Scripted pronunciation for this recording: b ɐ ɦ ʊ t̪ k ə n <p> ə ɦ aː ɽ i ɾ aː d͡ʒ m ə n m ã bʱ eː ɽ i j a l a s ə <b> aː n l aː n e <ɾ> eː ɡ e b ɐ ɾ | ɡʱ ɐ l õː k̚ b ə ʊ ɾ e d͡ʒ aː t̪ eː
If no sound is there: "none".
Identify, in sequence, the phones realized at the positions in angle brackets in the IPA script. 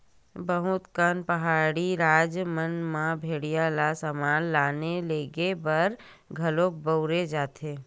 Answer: p, m, l

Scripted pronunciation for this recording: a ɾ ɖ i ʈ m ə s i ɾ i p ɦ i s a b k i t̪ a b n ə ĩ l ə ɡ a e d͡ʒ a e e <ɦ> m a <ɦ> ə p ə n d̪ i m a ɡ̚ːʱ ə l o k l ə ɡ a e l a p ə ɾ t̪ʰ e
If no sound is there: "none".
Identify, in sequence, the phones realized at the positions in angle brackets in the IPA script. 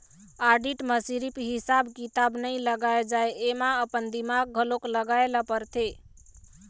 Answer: none, none

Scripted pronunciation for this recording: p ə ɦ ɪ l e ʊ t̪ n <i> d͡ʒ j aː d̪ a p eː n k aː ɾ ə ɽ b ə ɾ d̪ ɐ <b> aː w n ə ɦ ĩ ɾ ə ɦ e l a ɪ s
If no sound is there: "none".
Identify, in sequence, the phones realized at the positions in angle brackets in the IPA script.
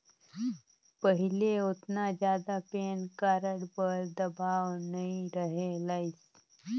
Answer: a, b

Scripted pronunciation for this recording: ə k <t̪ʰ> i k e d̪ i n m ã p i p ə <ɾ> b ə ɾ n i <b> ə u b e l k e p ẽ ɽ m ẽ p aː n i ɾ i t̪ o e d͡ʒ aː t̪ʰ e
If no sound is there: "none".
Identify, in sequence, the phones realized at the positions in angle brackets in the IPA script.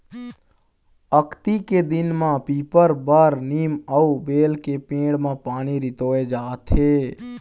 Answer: t̪, ɾ, m

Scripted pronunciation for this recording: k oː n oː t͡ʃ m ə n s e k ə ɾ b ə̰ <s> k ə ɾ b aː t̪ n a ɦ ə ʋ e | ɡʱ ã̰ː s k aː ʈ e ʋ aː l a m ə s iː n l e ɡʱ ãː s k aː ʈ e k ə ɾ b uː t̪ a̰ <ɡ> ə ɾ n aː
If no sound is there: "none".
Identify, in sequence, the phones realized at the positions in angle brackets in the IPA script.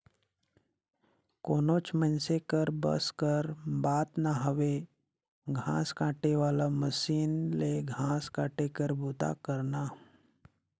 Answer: s, k

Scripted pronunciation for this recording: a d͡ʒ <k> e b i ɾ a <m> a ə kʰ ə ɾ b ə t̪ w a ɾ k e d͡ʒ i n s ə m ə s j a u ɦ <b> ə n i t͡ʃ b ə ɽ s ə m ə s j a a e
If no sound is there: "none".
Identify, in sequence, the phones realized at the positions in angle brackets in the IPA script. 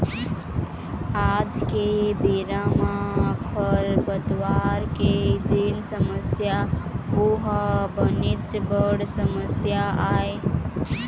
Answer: k, m, b

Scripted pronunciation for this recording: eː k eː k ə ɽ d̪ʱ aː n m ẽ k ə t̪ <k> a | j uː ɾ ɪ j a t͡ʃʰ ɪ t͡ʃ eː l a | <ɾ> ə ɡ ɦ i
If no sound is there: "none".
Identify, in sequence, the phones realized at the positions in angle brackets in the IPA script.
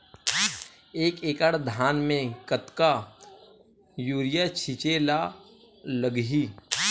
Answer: k, l

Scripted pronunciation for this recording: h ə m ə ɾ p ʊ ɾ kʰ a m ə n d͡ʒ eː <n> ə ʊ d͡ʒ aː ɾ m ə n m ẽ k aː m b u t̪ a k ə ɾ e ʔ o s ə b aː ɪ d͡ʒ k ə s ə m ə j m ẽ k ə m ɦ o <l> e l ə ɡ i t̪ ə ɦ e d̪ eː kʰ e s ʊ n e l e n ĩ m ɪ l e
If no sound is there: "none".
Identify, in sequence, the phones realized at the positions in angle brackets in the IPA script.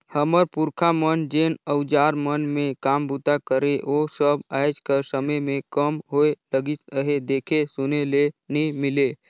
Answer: n, none

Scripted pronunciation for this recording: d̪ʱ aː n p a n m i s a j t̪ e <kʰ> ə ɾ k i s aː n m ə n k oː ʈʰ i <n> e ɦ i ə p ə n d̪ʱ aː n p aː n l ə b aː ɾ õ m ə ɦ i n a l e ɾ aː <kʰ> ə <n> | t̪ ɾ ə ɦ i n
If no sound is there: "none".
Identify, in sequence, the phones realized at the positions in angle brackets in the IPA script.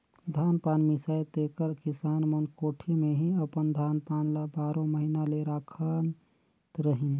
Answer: k, m, kʰ, n

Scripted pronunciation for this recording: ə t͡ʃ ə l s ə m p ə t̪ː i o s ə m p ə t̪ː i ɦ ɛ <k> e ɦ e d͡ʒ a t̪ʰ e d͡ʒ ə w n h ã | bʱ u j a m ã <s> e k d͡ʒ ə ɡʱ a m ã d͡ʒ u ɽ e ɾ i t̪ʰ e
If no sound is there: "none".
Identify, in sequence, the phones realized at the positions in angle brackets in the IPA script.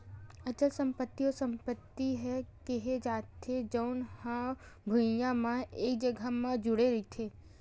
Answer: k, none

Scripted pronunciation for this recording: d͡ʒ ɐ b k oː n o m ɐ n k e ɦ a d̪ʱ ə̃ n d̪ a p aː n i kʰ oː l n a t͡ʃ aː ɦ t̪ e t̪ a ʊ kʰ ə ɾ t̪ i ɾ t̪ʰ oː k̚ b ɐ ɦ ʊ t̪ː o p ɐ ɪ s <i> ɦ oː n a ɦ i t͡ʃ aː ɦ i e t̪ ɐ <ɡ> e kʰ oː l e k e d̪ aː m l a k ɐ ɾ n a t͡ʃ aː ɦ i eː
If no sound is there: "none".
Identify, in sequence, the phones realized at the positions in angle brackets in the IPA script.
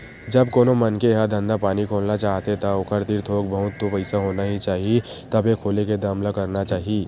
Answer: a, b

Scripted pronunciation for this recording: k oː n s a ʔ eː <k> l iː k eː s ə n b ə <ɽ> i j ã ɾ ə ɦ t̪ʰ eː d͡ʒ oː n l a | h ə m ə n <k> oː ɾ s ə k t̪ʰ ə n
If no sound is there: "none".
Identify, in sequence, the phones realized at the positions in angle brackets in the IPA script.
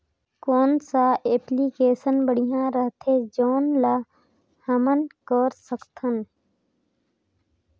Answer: p, ɽ, k

